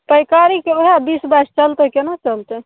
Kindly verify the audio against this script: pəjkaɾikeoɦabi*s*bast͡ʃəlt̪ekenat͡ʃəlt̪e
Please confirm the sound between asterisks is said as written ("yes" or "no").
yes